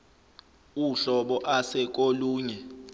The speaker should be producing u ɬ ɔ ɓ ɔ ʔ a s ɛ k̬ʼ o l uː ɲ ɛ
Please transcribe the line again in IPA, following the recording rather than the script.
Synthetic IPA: u ɬ ɔ ɓ ɔ ʔ a s ɛ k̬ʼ o l uː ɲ ɛ